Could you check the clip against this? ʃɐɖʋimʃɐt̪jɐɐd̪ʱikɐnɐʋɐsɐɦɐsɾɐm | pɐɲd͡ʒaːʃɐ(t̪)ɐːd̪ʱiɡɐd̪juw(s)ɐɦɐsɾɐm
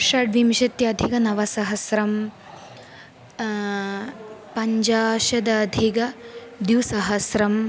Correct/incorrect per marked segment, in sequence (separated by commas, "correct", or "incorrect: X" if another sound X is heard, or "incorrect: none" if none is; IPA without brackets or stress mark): incorrect: d̪, correct